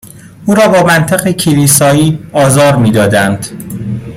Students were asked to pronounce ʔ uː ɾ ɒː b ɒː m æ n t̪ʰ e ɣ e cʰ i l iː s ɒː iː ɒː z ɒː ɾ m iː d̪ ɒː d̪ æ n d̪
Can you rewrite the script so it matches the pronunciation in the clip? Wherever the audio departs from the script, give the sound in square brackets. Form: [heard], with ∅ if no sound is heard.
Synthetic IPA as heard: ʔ uː ɾ ɒː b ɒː m æ n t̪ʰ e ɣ e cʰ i l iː s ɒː iː ɒː z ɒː ɾ m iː d̪ ɒː d̪ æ n d̪